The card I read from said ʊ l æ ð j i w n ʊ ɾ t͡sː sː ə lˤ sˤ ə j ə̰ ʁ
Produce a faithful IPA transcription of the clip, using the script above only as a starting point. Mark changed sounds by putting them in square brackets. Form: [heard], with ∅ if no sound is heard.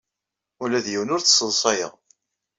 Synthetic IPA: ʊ l æ ð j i w n ʊ ɾ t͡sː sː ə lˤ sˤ [ɑ] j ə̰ ʁ